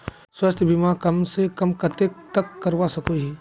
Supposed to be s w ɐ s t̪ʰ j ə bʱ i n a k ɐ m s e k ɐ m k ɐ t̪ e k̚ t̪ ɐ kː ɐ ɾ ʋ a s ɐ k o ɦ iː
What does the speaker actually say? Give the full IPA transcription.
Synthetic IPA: s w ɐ s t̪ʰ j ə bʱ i m a k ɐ m s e k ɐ m k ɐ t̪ e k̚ t̪ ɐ kː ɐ ɾ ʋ a s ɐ k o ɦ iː